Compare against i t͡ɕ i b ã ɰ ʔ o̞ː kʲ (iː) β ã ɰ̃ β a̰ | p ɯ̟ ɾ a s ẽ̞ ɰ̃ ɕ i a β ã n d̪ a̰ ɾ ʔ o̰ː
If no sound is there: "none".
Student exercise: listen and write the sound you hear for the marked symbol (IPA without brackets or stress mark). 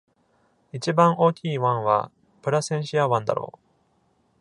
iː